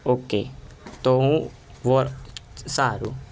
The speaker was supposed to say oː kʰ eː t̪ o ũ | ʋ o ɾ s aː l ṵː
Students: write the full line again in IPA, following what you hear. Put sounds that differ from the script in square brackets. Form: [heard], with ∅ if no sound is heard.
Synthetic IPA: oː [k] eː t̪ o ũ | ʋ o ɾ s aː [ɾ] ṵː

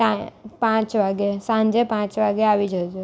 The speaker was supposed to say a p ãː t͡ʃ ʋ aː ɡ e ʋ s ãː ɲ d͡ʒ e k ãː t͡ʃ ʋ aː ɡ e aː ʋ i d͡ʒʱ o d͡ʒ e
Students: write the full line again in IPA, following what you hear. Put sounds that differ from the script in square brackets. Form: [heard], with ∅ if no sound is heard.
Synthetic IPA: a p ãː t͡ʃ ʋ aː ɡ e [∅] s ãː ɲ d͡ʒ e [p] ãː t͡ʃ ʋ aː ɡ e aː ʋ i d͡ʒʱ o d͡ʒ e

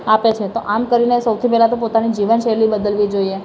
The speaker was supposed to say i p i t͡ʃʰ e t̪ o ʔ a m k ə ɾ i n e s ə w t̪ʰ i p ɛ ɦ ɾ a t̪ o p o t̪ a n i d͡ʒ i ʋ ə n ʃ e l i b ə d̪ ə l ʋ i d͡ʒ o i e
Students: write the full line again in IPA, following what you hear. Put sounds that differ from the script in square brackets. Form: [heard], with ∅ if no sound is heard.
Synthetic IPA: [a] p [e] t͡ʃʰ e t̪ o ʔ a m k ə ɾ i n e s ə w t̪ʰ i p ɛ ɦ [l] a t̪ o p o t̪ a n i d͡ʒ i ʋ ə n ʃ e l i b ə d̪ ə l ʋ i d͡ʒ o i e

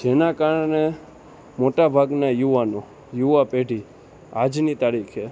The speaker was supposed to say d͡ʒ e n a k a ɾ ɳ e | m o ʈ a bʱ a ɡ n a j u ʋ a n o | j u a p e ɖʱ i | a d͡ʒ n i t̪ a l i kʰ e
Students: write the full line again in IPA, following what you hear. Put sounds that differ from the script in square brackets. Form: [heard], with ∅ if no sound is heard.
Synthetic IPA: d͡ʒ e n a k a ɾ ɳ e | m o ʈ a bʱ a ɡ n a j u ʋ a n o | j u a p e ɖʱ i | a d͡ʒ n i t̪ a [ɾ] i kʰ e

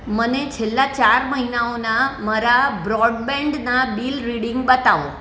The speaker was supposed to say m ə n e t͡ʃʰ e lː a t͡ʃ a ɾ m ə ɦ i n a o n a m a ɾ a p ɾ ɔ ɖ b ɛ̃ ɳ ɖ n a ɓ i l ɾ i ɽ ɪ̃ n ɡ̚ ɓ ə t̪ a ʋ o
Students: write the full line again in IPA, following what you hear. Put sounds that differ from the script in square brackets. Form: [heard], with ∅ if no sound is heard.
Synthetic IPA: m ə n e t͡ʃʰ e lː a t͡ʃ a ɾ m ə ɦ i n a o n a m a ɾ a [b] ɾ ɔ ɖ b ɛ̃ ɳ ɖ n a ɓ i l ɾ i ɽ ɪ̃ [ŋ] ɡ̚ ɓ ə t̪ a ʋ o

